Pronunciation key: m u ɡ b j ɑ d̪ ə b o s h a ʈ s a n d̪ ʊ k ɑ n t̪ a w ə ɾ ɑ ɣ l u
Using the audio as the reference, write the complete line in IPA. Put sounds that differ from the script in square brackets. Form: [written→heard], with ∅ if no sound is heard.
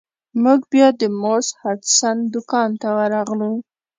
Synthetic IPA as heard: m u ɡ b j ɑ d̪ ə [b→m] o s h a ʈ s a n d̪ ʊ k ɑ n t̪ a w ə ɾ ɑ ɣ l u